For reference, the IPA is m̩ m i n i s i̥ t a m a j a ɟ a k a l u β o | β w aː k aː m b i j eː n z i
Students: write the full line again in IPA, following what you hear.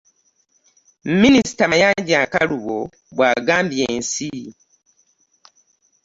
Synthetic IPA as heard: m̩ m i n i s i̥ t a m a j a ɟ a k a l u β o | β w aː ɡ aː m b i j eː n s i